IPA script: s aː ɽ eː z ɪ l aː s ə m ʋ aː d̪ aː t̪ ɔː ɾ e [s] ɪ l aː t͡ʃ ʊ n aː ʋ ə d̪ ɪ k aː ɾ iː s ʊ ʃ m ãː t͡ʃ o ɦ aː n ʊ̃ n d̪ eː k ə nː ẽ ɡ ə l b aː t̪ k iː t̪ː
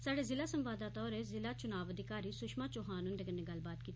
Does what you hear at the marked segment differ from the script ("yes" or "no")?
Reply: yes